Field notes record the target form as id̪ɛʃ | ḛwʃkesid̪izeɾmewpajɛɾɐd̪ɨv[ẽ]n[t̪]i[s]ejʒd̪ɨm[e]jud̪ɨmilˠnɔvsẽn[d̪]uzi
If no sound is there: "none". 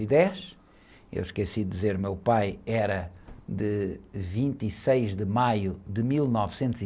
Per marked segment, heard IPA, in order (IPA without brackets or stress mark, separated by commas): ĩ, t̪, s, a, t̪